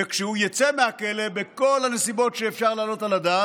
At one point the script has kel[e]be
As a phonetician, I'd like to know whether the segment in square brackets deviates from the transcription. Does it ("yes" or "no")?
no